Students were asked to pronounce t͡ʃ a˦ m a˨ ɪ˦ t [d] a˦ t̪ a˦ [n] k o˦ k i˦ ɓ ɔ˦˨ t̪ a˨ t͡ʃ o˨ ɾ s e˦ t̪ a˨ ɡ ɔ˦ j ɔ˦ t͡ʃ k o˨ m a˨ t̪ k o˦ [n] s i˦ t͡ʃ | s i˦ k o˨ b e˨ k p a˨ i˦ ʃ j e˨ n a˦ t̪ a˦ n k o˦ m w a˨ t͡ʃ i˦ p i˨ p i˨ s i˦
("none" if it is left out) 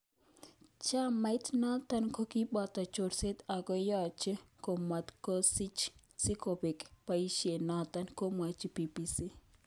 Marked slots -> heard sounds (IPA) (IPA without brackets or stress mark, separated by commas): n, n, none